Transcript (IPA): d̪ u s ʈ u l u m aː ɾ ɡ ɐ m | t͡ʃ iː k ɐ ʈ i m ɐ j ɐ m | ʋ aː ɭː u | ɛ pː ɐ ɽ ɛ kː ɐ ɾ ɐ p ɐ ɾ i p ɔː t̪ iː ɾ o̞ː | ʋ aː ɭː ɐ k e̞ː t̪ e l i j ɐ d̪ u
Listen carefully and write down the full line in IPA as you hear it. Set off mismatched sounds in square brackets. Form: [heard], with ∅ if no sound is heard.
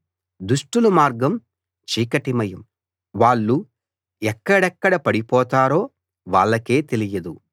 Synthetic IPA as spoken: d̪ u [ʂ] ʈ u l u m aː ɾ ɡ ɐ m | t͡ʃ iː k ɐ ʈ i m ɐ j ɐ m | ʋ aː ɭː u | ɛ [kː] ɐ ɽ ɛ kː ɐ [ɽ] ɐ p ɐ [ɽ] i p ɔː t̪ [aː] ɾ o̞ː | ʋ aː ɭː ɐ k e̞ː t̪ e l i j ɐ d̪ u